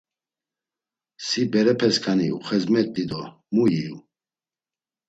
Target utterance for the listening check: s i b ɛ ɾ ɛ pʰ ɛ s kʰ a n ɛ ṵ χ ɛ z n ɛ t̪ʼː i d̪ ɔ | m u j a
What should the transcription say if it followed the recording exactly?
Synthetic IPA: s i b ɛ ɾ ɛ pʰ ɛ s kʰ a n i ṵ χ ɛ z m ɛ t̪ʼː i d̪ ɔ | m u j i

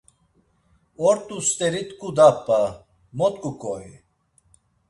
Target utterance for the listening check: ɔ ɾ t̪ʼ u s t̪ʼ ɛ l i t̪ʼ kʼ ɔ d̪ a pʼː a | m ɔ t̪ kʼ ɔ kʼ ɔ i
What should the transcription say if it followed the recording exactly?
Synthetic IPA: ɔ ɾ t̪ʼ u s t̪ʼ ɛ ɾ i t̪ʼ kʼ u d̪ a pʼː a | m ɔ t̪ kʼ u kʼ ɔ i

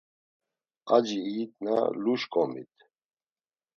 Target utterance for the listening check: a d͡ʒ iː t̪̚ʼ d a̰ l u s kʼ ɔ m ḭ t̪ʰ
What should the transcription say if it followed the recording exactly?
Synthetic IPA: a d͡ʒ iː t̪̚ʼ n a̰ l u ʃ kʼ ɔ m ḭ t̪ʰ

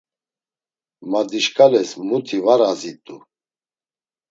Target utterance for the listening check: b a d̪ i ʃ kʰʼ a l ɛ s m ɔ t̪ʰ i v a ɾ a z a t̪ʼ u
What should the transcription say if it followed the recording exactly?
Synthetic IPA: m a d̪ i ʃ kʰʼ a l ɛ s m u t̪ʰ i v a ɾ a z i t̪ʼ u

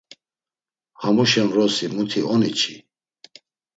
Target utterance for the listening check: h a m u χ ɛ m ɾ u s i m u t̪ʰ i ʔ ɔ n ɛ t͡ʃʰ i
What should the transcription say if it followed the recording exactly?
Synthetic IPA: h a m u ʃ ɛ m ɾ ɔ s i m u t̪ʰ i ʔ ɔ n i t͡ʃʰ i

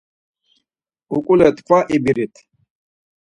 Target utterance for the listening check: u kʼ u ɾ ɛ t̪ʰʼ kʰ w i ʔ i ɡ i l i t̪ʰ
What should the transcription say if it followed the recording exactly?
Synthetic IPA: u kʼ u l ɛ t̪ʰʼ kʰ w a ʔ i b i ɾ i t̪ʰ

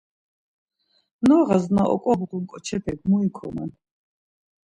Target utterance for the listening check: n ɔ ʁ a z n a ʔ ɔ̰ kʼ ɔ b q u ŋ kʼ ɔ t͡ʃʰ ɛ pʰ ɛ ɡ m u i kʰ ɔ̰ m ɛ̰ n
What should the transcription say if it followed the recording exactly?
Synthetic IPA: n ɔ ʁ a z n a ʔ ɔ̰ kʼ ɔ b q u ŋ kʼ ɔ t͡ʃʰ ɛ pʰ ɛ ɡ m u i kʰ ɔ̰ m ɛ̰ n

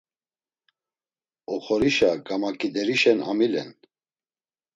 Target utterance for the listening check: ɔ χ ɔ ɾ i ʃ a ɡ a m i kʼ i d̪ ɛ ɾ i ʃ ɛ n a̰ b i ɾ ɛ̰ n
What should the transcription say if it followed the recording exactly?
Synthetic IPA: ɔ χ ɔ ɾ i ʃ a ɡ a m a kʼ i d̪ ɛ ɾ i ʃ ɛ n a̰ m i l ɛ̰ n

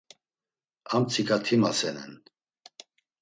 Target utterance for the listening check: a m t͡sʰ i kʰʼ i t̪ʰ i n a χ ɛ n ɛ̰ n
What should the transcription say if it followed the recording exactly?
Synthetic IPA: a m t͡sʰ i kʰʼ a t̪ʰ i m a s ɛ n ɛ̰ n

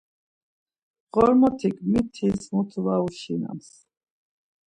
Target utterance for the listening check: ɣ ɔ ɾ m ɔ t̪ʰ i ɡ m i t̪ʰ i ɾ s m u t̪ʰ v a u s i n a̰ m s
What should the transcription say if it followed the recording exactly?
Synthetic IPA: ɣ ɔ ɾ m ɔ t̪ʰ i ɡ m i t̪ʰ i s m u t̪ʰ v a u ʃ i n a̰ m s

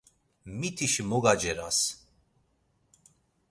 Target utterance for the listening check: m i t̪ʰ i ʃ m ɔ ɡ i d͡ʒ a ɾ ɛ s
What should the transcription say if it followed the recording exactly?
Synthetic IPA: m i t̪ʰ i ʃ m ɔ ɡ a d͡ʒ ɛ ɾ a s

